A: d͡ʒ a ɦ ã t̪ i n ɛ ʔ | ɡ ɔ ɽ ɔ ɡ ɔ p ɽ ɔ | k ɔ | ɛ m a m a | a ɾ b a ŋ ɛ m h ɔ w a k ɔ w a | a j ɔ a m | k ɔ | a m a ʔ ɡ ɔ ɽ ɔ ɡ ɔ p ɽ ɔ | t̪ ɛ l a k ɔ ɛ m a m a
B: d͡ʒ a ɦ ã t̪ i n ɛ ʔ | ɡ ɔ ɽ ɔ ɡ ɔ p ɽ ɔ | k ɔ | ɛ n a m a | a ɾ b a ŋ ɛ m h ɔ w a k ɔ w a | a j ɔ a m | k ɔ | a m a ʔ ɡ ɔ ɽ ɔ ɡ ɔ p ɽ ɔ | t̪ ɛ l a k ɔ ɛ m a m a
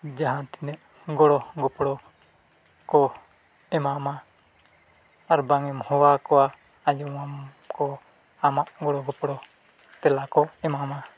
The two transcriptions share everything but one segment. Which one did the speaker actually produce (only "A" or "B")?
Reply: A